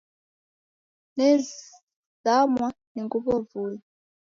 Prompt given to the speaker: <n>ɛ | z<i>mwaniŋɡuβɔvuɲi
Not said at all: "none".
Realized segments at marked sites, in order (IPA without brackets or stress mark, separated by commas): n, a